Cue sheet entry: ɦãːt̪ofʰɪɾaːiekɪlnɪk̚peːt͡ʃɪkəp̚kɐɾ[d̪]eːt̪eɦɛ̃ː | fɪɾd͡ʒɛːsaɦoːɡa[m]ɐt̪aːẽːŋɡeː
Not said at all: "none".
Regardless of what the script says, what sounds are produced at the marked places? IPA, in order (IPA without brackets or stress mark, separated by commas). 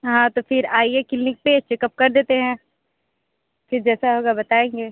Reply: d̪, b